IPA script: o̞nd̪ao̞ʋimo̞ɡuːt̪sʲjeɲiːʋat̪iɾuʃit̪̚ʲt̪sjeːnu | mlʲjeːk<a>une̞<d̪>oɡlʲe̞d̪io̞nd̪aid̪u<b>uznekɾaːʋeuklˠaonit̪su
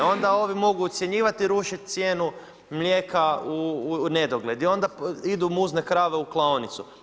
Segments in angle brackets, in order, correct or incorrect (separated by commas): correct, correct, incorrect